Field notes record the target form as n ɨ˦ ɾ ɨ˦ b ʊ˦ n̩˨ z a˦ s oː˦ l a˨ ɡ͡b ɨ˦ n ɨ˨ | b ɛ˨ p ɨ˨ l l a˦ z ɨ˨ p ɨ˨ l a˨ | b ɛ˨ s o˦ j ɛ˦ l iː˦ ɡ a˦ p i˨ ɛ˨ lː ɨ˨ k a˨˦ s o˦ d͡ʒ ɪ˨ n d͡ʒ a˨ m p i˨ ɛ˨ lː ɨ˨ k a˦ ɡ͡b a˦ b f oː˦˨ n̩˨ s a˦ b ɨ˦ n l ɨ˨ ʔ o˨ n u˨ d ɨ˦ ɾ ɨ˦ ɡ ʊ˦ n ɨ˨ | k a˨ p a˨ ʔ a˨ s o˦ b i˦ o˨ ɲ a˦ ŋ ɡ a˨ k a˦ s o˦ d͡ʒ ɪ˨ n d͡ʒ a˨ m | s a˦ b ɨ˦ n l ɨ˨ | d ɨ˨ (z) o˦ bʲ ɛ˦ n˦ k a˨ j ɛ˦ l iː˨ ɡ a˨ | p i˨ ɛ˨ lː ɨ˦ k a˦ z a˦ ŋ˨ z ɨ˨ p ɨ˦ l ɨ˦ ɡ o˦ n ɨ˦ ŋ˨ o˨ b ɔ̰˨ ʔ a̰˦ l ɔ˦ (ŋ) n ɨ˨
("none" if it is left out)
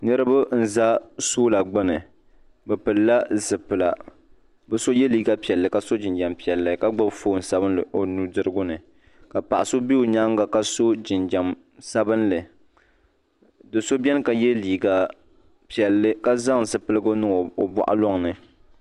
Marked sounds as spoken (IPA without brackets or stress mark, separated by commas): s, ŋ